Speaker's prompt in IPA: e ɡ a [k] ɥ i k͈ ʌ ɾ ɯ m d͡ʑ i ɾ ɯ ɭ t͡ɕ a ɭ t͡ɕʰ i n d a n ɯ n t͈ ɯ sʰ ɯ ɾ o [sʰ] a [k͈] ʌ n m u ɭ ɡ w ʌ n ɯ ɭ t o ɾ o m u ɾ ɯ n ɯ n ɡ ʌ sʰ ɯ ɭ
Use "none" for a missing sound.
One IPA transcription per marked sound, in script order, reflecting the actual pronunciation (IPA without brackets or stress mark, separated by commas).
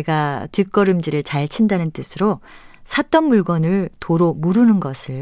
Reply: t, sʰ, t͈